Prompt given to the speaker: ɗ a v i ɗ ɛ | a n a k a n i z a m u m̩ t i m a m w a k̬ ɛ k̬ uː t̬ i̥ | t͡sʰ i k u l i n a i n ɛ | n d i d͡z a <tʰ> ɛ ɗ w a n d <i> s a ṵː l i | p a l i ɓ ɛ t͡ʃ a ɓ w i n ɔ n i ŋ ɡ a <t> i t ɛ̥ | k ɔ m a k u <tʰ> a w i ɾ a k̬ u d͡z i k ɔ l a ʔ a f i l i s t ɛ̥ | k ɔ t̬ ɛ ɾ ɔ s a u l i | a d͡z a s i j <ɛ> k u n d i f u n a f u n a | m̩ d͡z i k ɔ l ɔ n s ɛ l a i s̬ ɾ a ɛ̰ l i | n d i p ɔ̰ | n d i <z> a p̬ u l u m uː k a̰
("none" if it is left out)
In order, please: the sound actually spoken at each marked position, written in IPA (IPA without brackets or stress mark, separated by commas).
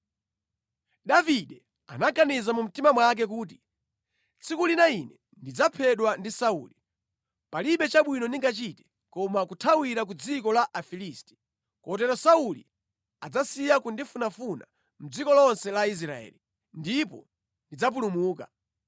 pʰ, i, t͡ʃ, tʰ, a, d͡z